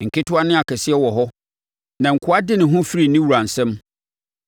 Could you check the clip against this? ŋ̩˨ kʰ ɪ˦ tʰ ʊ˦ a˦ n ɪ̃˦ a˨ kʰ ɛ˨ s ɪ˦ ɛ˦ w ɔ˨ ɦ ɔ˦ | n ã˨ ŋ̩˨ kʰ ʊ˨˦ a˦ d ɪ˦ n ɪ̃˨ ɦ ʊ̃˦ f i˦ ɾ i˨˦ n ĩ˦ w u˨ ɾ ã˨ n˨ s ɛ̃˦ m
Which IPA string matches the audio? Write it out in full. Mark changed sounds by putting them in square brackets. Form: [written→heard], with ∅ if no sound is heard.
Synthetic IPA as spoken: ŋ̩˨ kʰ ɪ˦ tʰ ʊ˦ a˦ n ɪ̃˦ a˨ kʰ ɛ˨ s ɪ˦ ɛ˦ w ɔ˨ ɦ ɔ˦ | n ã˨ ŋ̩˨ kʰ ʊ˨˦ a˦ d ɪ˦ n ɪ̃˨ ɦ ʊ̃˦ f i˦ ɾ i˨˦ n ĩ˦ w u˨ ɾ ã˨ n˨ s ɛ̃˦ m